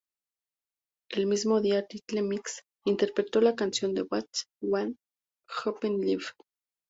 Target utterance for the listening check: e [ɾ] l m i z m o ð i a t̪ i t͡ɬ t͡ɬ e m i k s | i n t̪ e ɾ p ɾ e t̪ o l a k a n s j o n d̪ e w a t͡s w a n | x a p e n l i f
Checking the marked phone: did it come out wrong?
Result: yes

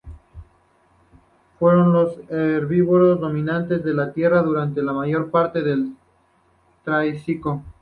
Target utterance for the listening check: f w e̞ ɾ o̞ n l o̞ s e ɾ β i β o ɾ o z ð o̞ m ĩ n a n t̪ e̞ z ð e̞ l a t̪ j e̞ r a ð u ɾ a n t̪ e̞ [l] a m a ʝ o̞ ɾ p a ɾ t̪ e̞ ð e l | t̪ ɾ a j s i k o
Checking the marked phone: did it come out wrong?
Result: no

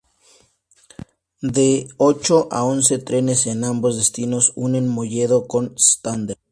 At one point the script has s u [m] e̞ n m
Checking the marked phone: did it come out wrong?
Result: yes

